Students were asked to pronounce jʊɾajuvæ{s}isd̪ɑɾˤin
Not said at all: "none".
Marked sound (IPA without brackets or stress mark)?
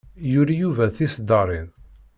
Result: θ